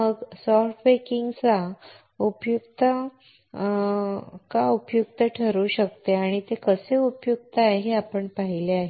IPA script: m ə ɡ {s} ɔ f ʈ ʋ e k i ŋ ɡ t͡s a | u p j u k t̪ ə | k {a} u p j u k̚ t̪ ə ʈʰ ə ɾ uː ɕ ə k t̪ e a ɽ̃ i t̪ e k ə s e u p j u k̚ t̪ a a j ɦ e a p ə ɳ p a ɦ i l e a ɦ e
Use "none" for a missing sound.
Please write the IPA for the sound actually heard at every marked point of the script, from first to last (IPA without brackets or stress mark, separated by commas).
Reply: s, a